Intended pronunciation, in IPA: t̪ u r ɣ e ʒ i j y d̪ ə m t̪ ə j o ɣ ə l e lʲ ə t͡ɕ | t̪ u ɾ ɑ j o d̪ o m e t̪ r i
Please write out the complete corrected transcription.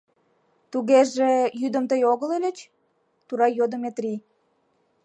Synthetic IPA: t̪ u ɣ e ʒ e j y d̪ ə m t̪ ə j o ɣ ə l e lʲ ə t͡ɕ | t̪ u ɾ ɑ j o d̪ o m e t̪ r i